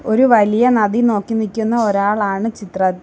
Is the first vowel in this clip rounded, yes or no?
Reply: yes